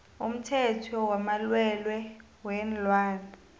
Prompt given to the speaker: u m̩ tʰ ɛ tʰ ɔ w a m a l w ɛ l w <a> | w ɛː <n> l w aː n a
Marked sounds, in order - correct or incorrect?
incorrect, correct

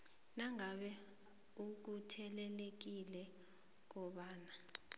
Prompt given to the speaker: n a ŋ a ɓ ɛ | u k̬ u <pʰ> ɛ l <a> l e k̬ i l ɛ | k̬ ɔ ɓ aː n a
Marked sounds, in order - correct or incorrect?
incorrect, incorrect

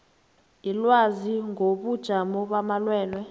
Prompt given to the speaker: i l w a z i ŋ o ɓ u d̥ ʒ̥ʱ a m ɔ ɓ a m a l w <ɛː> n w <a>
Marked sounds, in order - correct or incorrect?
correct, incorrect

